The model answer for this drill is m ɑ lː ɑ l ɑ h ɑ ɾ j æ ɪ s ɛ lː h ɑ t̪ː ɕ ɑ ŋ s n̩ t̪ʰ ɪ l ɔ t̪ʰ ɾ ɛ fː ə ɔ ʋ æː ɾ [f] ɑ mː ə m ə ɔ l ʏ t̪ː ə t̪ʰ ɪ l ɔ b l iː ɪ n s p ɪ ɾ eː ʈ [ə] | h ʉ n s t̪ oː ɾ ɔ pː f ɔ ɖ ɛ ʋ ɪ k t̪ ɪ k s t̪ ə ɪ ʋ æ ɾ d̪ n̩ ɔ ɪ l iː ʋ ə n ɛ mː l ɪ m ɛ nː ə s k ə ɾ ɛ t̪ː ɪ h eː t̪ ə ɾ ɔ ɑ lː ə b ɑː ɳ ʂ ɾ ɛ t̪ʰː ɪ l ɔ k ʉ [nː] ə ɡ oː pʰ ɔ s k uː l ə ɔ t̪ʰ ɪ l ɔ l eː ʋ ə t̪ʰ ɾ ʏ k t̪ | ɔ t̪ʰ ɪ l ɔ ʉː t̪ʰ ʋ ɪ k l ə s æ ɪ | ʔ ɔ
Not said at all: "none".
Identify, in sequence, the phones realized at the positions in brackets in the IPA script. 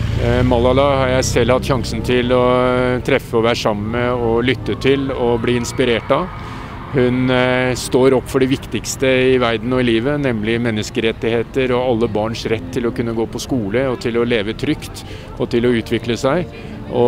ʂ, ɑ, nː

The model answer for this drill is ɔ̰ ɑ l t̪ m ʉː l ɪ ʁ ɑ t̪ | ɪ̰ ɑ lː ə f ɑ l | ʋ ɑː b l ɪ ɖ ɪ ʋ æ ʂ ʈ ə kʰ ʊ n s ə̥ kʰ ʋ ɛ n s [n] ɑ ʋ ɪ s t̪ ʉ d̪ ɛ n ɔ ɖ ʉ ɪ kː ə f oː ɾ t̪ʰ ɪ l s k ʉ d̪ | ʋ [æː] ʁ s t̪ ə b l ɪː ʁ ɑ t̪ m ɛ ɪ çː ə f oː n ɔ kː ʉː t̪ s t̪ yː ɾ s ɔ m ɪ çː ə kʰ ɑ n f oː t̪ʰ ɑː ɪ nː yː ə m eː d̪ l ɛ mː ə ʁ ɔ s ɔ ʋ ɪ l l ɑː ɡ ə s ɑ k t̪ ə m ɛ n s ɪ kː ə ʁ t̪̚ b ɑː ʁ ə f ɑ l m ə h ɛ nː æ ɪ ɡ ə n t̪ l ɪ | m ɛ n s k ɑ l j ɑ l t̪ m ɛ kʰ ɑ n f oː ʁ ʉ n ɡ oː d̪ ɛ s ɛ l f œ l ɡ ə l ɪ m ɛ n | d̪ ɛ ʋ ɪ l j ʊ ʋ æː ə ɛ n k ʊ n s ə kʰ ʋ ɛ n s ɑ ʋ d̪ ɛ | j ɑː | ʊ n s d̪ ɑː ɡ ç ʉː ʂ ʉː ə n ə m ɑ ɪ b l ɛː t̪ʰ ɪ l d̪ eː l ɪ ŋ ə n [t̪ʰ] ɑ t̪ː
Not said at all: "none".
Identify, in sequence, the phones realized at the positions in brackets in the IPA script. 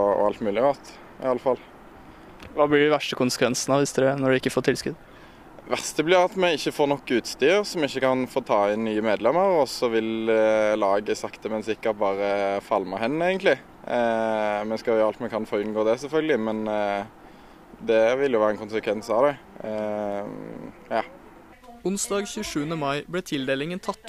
n, æ, t̪ʰ

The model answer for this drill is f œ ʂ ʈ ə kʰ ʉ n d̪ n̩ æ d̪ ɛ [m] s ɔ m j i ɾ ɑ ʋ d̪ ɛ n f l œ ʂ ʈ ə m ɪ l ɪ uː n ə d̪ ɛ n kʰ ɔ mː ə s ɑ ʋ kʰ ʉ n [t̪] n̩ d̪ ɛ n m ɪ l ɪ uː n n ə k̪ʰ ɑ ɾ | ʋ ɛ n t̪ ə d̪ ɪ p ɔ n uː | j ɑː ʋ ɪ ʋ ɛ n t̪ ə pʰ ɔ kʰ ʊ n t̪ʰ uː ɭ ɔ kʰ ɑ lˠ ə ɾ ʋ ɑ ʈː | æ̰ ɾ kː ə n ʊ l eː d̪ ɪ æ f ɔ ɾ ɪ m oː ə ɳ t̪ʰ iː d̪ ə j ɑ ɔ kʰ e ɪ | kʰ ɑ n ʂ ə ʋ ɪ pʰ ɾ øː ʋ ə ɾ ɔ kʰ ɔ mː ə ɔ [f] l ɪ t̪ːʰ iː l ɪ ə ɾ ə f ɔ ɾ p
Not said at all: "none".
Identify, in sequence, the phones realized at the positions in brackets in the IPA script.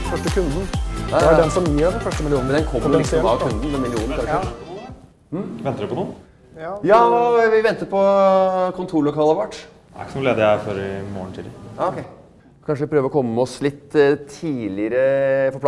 n, d̪, s

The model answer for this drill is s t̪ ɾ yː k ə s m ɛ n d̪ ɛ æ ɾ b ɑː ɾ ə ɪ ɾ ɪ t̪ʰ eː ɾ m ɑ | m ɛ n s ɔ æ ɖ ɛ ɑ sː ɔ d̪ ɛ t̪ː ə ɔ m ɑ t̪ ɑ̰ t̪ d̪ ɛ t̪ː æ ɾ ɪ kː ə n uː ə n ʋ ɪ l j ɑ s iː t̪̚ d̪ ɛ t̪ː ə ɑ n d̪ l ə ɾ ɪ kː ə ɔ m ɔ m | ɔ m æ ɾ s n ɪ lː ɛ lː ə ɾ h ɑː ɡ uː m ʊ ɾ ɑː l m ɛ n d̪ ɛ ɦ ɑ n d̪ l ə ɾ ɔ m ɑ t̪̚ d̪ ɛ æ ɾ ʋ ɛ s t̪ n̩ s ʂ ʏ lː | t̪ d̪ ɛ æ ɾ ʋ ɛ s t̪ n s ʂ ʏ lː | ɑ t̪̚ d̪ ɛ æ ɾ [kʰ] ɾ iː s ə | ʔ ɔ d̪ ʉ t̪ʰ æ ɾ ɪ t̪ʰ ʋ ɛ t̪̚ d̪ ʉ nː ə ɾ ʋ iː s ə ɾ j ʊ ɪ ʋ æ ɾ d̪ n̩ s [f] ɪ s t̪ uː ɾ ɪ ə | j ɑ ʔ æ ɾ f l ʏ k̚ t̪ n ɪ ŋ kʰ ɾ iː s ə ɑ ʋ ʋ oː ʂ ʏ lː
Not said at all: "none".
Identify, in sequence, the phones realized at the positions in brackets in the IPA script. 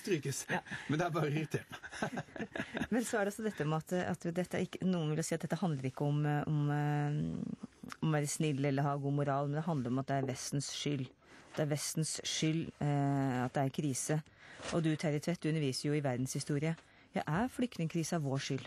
kʰ, h

